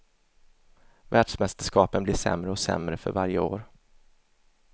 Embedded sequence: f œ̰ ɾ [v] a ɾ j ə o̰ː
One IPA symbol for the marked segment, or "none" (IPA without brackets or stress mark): v